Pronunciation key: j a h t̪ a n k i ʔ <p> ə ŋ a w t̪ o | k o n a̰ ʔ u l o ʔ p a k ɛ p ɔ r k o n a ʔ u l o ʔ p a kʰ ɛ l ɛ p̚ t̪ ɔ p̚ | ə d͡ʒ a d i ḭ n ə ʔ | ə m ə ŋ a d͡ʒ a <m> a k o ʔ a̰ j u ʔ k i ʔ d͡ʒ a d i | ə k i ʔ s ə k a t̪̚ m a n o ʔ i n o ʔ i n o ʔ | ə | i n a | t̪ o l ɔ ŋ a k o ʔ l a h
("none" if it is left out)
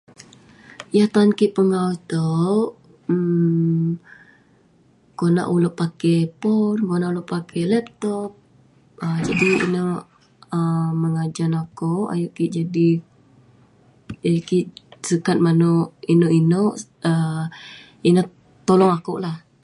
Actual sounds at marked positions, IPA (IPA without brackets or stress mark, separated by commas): p, n